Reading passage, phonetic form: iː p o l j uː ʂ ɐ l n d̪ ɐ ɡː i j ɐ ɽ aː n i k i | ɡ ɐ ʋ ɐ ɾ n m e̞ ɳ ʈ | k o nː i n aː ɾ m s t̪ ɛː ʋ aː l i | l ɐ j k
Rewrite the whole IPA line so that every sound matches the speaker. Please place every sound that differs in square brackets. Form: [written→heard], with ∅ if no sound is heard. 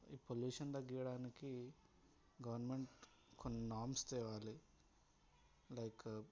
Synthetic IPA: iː p o l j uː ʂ ɐ [l→∅] n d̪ ɐ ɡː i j ɐ ɽ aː n i k i | ɡ ɐ ʋ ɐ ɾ n m e̞ ɳ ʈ | k o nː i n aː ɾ m s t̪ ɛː ʋ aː l i | l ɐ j k